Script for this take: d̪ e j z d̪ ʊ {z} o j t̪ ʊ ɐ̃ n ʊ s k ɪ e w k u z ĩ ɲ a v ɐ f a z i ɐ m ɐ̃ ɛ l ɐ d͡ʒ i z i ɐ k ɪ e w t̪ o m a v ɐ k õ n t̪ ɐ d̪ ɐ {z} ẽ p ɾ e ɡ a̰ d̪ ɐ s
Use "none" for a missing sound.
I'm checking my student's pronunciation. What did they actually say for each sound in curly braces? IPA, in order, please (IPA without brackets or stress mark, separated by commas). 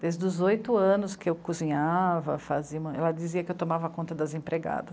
z, z